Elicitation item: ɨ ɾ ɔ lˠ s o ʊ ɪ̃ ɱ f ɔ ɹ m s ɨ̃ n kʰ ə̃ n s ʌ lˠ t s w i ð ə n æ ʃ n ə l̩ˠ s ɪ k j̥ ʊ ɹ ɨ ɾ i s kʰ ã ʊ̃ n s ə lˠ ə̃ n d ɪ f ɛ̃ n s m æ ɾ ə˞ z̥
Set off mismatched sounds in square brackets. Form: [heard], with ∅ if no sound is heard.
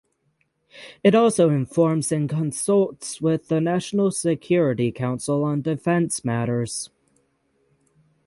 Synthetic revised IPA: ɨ ɾ ɔ lˠ s o ʊ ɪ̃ ɱ f ɔ ɹ m [z] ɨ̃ n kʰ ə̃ n s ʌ lˠ t s w [ɪ] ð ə n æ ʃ n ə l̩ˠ s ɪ [kʰ] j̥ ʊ ɹ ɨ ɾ i [∅] kʰ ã ʊ̃ n s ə lˠ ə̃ n d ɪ f ɛ̃ n s m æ ɾ ə˞ z̥